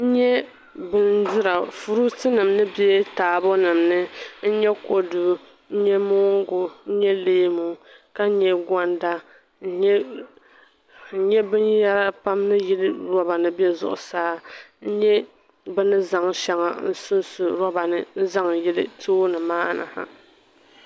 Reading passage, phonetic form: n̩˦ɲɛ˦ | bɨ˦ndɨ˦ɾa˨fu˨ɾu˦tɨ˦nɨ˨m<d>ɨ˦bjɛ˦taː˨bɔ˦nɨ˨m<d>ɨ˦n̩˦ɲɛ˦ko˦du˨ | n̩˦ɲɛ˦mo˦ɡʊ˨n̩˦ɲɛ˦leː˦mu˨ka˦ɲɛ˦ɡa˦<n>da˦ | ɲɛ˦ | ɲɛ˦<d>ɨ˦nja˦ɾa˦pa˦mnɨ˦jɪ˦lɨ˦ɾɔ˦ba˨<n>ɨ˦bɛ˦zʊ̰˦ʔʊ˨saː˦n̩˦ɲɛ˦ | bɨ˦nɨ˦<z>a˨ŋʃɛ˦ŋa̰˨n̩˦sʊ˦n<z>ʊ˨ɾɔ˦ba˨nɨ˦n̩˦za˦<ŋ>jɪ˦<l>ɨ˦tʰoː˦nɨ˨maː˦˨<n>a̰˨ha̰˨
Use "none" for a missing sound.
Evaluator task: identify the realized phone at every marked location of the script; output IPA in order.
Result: n, n, n, b, n, z, s, ŋ, l, n

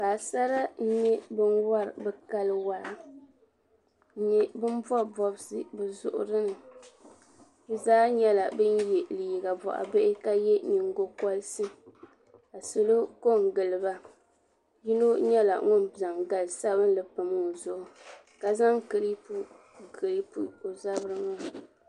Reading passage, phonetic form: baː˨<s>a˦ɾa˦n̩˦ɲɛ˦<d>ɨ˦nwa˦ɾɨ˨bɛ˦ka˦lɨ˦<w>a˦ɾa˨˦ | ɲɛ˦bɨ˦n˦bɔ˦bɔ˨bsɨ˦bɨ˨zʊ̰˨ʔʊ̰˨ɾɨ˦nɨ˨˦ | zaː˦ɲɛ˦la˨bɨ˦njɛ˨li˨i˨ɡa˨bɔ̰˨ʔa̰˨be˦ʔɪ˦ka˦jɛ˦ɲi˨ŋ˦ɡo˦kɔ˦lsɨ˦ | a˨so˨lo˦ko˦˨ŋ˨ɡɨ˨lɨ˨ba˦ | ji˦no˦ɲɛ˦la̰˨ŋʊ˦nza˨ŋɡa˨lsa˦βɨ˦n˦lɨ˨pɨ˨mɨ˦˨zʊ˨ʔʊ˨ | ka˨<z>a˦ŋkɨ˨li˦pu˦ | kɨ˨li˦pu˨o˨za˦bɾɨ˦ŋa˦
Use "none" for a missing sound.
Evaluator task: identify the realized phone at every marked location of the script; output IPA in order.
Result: s, b, w, z

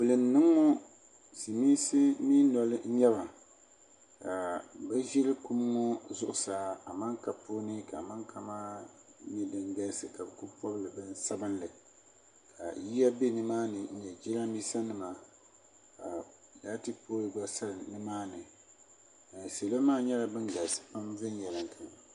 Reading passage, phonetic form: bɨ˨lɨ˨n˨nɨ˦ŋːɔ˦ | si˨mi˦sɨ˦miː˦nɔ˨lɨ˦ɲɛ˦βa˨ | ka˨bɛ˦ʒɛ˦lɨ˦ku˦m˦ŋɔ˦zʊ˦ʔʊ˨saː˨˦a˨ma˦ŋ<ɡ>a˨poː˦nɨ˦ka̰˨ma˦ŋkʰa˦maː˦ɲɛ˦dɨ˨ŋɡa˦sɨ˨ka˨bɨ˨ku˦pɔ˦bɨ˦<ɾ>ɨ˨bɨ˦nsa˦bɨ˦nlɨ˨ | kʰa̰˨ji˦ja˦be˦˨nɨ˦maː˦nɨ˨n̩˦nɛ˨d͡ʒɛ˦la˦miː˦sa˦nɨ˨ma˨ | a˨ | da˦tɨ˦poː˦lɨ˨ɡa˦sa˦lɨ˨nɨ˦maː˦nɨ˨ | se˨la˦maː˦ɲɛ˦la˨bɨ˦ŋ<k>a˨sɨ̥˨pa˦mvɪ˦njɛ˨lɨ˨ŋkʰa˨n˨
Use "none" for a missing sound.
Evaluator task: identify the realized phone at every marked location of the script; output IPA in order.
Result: k, l, ɡ

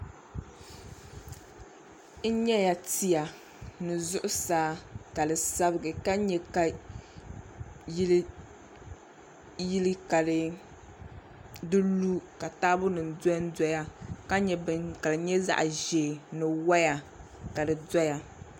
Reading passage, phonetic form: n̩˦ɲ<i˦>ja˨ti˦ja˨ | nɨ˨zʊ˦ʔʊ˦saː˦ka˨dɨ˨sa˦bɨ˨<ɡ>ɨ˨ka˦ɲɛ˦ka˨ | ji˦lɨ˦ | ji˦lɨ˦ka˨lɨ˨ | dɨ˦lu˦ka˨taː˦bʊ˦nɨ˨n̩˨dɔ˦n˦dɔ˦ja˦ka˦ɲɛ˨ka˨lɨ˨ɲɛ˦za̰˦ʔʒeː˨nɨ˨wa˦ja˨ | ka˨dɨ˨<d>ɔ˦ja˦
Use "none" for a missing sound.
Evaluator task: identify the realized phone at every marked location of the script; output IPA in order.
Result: ɛ˦, ɡ, d

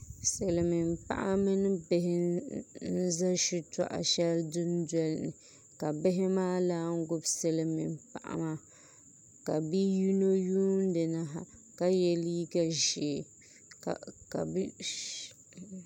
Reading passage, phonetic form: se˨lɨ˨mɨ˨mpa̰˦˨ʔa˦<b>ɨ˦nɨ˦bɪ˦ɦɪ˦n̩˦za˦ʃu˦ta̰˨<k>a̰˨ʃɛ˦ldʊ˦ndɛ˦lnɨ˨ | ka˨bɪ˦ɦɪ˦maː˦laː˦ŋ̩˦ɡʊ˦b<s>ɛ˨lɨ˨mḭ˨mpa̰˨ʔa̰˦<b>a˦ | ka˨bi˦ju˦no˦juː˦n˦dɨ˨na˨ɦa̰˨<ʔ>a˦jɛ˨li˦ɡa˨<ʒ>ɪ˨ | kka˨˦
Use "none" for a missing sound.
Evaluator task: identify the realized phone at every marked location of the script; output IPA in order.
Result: m, ʔ, s, m, k, ʒ

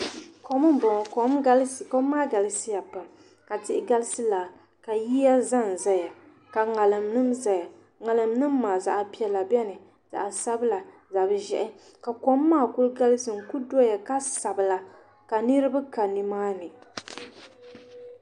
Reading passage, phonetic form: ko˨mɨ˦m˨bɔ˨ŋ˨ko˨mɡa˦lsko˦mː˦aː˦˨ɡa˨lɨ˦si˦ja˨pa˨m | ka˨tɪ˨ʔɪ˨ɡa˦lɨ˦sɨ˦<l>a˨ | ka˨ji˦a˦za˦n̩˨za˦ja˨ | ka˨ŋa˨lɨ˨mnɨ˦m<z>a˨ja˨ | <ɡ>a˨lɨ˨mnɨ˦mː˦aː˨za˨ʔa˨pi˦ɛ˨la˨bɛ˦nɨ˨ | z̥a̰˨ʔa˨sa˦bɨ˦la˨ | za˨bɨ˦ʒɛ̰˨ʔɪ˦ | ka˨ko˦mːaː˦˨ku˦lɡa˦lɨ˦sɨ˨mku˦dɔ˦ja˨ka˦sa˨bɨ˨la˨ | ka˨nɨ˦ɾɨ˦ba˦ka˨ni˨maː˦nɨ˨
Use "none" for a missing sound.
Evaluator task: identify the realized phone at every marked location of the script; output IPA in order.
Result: l, z, ŋ

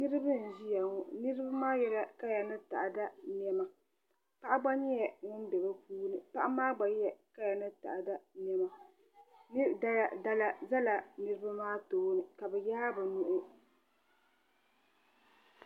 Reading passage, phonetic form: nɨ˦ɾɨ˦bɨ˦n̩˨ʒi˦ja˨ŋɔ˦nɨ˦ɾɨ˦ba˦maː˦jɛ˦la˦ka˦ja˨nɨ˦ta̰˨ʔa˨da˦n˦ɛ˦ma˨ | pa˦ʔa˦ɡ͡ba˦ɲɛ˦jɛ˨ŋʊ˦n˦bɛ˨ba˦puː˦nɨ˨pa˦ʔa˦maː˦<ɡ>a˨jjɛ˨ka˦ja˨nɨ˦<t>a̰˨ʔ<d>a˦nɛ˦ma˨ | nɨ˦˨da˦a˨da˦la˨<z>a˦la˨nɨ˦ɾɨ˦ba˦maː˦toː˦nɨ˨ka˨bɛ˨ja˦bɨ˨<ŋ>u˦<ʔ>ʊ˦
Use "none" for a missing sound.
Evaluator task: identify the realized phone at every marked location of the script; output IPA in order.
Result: ɡ͡b, t, d, z, n, ʔ

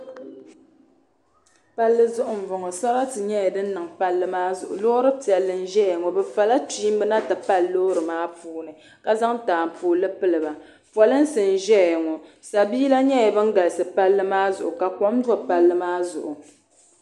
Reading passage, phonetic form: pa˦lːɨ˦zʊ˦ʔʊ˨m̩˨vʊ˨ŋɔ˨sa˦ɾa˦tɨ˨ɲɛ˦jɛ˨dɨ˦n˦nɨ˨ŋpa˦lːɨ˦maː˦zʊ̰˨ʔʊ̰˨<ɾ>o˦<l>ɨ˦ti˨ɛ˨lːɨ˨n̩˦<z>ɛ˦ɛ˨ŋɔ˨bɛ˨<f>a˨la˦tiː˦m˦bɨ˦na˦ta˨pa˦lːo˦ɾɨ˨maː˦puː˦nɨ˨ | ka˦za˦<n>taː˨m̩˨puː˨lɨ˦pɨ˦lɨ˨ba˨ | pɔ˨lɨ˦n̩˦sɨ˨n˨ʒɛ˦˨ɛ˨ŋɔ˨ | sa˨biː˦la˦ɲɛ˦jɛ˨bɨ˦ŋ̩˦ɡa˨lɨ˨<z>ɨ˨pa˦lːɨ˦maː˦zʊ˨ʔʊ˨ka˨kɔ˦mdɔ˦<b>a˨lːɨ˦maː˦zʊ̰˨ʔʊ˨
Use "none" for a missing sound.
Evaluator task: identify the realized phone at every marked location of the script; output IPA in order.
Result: l, ɾ, ʒ, f, ŋ, s, p

